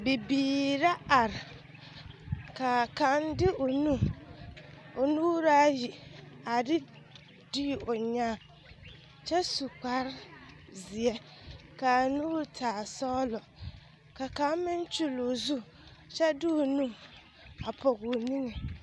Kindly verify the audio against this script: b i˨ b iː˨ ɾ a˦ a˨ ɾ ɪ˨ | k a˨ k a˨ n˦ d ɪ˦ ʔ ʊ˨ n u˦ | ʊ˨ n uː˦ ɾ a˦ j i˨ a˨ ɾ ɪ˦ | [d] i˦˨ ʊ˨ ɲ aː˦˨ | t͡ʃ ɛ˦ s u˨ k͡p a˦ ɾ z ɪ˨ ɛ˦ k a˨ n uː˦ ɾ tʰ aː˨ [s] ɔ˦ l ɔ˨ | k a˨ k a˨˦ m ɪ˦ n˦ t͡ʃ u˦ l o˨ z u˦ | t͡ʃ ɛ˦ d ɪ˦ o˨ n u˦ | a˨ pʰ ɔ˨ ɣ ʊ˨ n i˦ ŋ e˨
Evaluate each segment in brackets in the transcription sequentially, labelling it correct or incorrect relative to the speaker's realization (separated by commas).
correct, correct